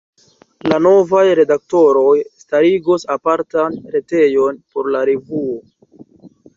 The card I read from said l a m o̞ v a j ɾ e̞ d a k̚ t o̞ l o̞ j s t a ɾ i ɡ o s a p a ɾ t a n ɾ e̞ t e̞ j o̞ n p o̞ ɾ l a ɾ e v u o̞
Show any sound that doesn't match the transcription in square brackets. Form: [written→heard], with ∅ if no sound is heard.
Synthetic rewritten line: l a [m→n] o̞ v a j ɾ e̞ d a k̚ t o̞ [l→ɾ] o̞ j s t a ɾ i ɡ o s a p a ɾ t a n ɾ e̞ t e̞ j o̞ n p o̞ ɾ l a ɾ e v u o̞